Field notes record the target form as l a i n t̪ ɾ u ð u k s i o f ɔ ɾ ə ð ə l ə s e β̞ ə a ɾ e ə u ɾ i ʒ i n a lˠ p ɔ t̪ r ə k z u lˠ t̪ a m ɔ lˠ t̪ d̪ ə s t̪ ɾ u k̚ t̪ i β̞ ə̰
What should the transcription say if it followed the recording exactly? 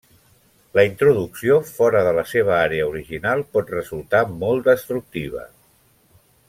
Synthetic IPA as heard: l ə i n t̪ ɾ u ð u k s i o f ɔ ɾ ə ð ə l ə s e β̞ ə a ɾ e ə u ɾ i ʒ i n a lˠ p ɔ t̪ r ə z u lˠ t̪ a m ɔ lˠ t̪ d̪ ə s t̪ ɾ u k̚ t̪ i β̞ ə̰